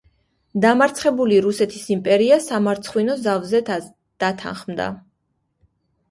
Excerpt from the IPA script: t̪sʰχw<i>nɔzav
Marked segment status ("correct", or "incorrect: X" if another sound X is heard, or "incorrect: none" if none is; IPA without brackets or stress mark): correct